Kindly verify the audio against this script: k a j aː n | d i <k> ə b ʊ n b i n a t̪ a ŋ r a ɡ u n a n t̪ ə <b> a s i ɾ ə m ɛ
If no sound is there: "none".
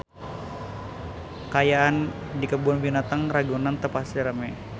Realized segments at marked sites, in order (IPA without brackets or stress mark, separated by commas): k, p